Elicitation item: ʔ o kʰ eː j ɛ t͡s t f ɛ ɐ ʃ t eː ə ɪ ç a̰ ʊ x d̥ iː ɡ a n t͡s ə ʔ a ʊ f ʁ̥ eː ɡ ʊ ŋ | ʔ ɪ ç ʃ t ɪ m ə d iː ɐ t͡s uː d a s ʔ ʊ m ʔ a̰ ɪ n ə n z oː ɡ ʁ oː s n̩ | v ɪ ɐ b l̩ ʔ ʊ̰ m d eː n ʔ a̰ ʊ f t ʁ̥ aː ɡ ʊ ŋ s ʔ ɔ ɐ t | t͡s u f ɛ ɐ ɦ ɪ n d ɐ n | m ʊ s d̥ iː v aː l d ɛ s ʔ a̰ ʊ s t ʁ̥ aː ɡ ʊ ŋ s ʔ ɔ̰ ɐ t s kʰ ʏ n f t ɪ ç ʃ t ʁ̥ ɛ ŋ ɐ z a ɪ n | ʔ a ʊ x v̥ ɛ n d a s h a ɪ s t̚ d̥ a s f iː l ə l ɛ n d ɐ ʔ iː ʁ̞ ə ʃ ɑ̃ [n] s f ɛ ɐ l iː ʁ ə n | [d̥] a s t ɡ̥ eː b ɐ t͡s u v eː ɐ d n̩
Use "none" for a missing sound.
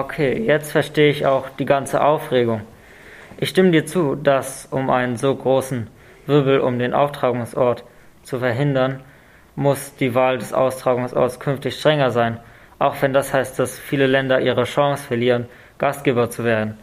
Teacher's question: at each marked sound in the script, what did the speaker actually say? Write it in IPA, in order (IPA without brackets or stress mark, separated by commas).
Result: ŋ, ɡ̥